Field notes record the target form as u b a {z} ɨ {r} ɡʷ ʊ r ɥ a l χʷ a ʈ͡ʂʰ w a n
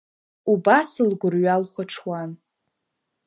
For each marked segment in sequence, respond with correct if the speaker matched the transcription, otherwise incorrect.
incorrect, incorrect

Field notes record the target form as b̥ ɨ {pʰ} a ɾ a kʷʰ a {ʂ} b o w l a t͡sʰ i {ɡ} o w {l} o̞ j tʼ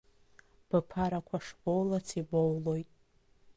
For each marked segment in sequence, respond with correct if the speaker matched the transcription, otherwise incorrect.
correct, correct, incorrect, correct

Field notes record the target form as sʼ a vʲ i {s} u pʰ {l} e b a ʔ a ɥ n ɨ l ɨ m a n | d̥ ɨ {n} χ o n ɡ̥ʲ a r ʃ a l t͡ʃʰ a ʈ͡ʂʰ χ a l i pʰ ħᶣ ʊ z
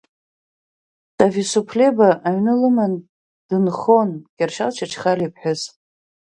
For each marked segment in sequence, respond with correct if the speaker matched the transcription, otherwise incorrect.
correct, correct, correct

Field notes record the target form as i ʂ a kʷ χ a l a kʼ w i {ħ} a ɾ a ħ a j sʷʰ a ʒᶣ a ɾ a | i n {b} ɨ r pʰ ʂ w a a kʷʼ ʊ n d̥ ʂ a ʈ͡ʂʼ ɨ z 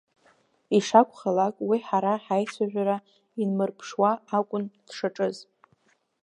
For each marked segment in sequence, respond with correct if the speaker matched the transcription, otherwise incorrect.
correct, incorrect

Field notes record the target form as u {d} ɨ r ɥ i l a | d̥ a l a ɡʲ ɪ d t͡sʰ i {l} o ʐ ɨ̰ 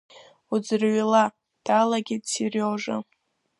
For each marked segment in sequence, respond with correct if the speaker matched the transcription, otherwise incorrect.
incorrect, incorrect

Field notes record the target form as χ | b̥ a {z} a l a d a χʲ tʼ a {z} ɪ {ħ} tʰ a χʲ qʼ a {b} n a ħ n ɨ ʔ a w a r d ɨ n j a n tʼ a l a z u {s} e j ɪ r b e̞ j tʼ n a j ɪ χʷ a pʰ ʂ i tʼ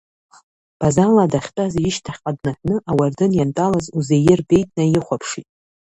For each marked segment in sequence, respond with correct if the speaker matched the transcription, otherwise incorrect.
correct, correct, incorrect, incorrect, incorrect

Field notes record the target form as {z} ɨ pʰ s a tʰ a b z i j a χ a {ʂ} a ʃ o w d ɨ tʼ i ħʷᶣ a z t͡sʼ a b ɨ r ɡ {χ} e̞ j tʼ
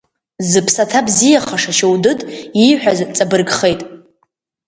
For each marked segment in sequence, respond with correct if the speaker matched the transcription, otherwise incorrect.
correct, correct, correct

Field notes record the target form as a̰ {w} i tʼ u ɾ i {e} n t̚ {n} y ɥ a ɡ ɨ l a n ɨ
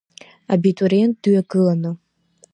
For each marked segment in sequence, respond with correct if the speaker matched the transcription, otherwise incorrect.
incorrect, correct, incorrect

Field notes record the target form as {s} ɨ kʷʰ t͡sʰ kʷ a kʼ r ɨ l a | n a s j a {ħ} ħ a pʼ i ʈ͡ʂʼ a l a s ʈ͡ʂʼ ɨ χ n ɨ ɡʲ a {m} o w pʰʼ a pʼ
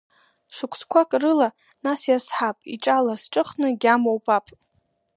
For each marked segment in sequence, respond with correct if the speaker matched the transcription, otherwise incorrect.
incorrect, incorrect, correct

